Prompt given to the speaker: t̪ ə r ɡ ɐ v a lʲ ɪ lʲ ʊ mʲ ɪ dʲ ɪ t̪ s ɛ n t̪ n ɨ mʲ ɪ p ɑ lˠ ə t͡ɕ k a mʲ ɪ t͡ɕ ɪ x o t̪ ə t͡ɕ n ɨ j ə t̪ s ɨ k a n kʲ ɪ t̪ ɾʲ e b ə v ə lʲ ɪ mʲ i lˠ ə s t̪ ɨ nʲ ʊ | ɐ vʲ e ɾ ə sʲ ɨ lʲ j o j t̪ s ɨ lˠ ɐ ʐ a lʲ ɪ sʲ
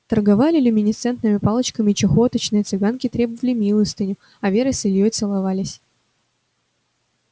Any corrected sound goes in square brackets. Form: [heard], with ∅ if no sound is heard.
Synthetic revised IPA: t̪ ə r ɡ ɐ v a lʲ ɪ lʲ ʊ mʲ ɪ [nʲ] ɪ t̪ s ɛ n t̪ n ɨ mʲ ɪ p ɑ lˠ ə t͡ɕ k [ə] mʲ ɪ t͡ɕ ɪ x o t̪ ə t͡ɕ n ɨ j ə t̪ s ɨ [ɡ] a n kʲ ɪ t̪ ɾʲ e b ə v ə lʲ ɪ mʲ i lˠ ə s t̪ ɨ nʲ ʊ | ɐ vʲ e ɾ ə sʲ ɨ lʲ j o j t̪ s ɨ lˠ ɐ [v] a lʲ ɪ sʲ